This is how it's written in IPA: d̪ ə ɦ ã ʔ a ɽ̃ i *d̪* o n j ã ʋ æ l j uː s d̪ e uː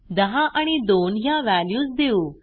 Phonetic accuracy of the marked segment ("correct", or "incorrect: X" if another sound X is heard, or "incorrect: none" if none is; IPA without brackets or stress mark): correct